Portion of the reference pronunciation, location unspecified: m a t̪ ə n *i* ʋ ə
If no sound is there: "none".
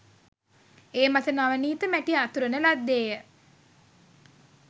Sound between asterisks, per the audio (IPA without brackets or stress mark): a